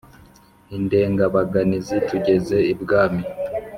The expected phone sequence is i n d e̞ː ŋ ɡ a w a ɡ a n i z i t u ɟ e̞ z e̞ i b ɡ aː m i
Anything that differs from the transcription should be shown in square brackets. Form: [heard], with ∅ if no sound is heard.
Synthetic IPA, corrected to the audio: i n d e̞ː ŋ ɡ a [β] a ɡ a n i z i t u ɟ e̞ z e̞ i b ɡ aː m i